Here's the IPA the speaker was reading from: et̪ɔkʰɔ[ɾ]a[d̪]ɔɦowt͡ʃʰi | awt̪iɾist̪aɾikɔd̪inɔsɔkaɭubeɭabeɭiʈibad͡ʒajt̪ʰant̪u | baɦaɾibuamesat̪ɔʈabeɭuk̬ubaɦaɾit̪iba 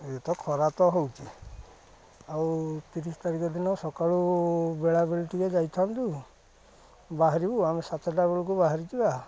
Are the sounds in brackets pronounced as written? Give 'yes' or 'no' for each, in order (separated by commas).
yes, no